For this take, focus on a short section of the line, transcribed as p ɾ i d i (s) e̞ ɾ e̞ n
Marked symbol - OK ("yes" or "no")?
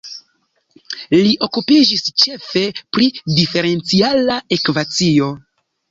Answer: no